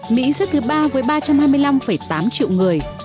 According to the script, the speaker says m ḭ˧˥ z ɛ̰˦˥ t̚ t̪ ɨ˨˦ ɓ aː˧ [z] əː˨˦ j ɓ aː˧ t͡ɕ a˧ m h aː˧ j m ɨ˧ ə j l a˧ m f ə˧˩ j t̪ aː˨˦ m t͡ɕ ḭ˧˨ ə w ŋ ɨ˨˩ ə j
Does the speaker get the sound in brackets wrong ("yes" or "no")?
yes